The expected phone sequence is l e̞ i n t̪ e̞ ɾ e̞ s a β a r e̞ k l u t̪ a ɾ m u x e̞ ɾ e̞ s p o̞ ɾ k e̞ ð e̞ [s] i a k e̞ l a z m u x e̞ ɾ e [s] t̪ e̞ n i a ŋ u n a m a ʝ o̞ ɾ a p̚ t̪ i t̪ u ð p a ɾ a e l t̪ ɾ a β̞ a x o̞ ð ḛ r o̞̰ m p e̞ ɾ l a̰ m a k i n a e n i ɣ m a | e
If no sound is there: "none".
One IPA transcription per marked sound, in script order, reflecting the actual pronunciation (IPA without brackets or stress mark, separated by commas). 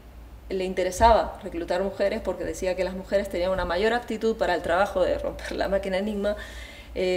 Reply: s, s